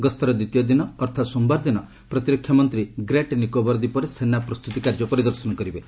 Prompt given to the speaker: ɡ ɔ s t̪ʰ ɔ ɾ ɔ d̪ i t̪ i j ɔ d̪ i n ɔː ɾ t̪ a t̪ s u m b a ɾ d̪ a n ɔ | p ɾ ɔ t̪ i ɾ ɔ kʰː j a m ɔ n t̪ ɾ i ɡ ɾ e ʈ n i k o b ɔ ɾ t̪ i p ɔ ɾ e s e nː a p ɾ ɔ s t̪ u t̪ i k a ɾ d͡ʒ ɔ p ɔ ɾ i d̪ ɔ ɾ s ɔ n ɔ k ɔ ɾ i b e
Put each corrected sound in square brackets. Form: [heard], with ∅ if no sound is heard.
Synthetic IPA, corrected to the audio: ɡ ɔ s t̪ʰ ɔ ɾ ɔ d̪ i t̪ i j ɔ d̪ i n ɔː ɾ [t̪ʰ] a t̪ s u m b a ɾ d̪ [i] n ɔ | p ɾ ɔ t̪ i ɾ ɔ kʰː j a m ɔ n t̪ ɾ i ɡ ɾ e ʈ n i k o b ɔ ɾ [d̪] i p ɔ ɾ e s e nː a p ɾ ɔ s t̪ u t̪ i k a ɾ d͡ʒ ɔ p ɔ ɾ i d̪ ɔ ɾ s ɔ n ɔ k ɔ ɾ i b e